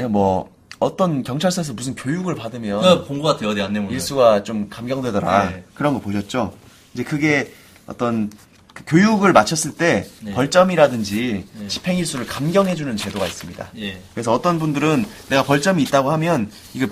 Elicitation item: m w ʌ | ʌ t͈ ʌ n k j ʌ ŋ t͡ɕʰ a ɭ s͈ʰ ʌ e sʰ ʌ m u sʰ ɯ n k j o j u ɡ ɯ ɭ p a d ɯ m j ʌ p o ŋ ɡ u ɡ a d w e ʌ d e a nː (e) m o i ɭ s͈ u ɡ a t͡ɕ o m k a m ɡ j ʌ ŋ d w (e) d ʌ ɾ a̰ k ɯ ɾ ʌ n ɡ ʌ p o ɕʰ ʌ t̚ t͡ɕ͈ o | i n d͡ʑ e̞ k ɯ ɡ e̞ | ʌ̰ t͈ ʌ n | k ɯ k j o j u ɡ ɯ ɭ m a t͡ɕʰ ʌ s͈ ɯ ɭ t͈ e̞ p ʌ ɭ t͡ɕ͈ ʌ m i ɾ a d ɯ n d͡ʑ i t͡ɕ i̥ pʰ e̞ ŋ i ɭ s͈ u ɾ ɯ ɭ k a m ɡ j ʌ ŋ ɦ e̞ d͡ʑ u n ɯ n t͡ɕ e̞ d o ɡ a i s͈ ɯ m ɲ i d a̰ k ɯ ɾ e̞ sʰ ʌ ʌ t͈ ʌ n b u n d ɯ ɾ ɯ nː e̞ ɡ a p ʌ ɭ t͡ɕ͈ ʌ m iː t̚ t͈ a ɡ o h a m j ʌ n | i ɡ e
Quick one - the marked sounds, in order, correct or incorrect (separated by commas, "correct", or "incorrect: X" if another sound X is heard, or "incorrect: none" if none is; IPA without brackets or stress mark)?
correct, correct